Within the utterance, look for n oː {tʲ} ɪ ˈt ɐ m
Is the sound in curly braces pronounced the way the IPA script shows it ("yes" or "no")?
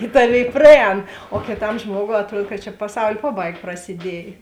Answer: no